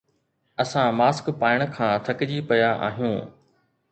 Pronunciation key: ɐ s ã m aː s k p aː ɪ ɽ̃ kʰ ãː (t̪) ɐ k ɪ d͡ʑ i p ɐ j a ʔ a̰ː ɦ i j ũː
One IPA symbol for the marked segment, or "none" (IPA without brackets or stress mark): t̪ʰ